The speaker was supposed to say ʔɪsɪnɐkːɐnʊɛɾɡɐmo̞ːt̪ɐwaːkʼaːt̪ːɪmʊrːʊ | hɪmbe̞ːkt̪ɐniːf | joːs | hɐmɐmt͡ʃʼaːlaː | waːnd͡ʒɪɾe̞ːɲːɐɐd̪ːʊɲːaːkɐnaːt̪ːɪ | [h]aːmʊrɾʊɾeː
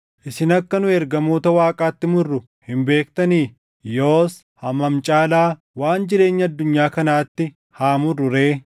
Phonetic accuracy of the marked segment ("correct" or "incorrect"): correct